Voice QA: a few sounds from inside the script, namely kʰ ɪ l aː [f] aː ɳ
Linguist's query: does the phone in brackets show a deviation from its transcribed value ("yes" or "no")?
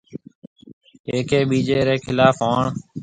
no